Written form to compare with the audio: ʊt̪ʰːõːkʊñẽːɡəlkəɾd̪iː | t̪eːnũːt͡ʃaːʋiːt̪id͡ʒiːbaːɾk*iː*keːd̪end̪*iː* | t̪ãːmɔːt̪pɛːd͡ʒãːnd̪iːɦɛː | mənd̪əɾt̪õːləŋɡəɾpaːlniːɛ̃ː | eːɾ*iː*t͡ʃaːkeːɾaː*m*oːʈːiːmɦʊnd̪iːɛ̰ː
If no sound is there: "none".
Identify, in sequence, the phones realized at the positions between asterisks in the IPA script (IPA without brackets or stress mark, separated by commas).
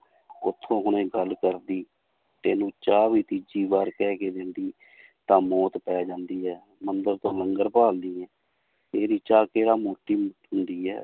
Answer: ɛː, iː, iː, m